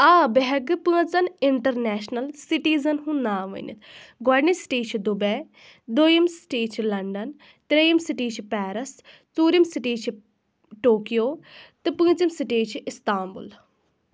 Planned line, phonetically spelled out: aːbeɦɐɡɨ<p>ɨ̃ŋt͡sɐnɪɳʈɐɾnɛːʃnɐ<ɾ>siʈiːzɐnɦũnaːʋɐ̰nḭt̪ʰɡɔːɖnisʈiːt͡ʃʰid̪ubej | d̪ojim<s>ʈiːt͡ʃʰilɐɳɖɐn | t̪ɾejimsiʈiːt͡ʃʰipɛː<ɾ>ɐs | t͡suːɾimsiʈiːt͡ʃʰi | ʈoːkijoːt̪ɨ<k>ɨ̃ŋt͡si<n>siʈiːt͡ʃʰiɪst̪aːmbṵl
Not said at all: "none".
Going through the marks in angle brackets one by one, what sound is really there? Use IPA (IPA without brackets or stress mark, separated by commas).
p, l, s, ɾ, p, m